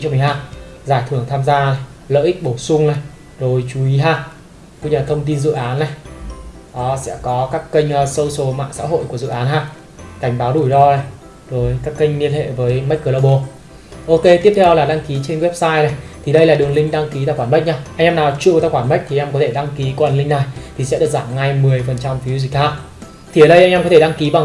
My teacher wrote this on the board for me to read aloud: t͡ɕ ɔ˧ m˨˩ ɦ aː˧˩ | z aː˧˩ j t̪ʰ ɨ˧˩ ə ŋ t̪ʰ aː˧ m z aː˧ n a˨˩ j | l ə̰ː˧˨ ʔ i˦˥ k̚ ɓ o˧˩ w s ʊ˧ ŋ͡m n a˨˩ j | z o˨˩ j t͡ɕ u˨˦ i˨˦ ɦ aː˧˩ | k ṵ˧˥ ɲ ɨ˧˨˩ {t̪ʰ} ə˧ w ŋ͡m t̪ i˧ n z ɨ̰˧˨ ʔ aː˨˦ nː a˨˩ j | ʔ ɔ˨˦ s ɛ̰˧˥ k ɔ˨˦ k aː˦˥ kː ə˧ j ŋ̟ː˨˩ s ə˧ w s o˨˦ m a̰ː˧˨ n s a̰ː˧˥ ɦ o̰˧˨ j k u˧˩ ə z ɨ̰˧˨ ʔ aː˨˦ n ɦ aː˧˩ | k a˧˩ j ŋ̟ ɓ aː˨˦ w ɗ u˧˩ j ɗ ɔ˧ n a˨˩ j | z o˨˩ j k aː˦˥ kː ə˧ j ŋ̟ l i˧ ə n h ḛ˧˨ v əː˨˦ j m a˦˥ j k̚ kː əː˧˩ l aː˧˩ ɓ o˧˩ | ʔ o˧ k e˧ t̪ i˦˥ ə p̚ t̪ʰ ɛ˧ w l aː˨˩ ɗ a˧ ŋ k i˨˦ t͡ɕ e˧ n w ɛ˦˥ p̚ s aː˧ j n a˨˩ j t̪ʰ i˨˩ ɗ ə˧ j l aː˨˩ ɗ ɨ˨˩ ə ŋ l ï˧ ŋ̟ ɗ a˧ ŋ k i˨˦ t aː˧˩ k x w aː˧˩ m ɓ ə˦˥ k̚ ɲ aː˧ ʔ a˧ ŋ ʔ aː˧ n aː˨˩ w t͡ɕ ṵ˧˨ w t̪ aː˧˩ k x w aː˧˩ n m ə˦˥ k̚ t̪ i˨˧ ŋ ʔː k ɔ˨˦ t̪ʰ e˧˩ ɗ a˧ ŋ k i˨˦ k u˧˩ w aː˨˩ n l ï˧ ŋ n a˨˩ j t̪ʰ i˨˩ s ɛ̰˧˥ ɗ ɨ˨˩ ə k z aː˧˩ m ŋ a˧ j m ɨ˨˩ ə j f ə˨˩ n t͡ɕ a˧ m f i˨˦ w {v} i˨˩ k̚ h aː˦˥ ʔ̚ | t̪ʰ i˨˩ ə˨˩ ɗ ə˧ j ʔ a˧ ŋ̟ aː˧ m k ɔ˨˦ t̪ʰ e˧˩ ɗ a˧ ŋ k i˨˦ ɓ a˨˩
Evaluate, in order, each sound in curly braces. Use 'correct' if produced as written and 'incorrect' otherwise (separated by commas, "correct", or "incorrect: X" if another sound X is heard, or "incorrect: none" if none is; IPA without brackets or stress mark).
correct, incorrect: z